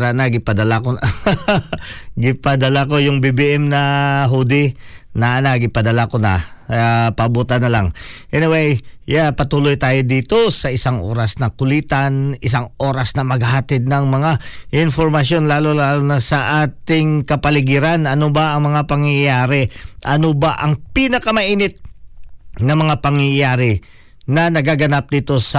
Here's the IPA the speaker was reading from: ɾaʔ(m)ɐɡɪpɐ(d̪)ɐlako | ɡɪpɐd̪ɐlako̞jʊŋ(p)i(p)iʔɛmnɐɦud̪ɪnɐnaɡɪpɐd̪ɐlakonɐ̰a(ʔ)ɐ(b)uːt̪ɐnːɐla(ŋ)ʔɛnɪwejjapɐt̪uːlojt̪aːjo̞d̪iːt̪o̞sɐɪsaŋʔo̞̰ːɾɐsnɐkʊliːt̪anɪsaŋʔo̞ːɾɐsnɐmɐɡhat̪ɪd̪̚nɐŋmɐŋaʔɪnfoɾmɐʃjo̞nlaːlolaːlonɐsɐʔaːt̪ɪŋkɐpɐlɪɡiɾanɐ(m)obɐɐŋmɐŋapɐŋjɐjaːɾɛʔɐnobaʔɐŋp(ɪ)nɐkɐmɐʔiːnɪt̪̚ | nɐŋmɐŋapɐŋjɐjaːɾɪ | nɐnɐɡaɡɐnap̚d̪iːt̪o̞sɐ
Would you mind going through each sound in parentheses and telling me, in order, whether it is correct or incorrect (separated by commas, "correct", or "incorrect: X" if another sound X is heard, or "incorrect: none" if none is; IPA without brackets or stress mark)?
incorrect: n, correct, incorrect: b, incorrect: b, incorrect: p, correct, correct, incorrect: n, incorrect: i